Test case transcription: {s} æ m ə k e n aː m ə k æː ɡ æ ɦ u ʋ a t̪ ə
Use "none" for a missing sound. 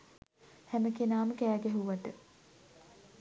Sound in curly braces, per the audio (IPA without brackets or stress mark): h